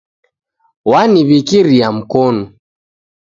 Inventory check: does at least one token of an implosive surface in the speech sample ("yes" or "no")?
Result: no